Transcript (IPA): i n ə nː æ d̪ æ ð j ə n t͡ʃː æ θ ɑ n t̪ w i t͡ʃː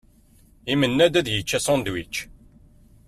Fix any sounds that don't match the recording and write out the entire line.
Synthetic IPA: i m ə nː æ d̪ æ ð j ə t͡ʃː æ s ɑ n d̪ w i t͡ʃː